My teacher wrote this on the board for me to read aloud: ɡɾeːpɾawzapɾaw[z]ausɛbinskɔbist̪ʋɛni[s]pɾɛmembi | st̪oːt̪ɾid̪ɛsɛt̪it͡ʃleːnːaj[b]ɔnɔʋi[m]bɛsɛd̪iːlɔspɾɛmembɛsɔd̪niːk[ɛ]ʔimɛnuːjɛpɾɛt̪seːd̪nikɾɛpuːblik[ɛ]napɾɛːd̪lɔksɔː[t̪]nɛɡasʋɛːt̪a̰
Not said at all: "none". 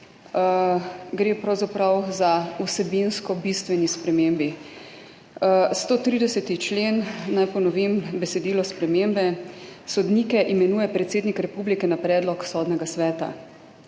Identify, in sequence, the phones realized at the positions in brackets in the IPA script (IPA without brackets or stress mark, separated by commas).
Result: z, s, p, m, ɛ, ɛ, d̪